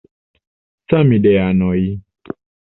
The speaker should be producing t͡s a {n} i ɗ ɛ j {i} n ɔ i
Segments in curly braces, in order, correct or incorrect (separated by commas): incorrect, incorrect